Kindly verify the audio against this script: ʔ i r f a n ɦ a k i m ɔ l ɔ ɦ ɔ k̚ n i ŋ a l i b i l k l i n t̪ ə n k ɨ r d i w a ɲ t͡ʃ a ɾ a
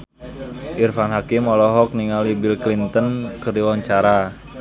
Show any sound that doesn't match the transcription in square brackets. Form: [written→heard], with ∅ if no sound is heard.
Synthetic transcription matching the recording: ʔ i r f a n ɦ a k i m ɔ l ɔ ɦ ɔ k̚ n i ŋ a l i b i l k l i n t̪ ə n k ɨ r d i w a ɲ t͡ʃ a ɾ a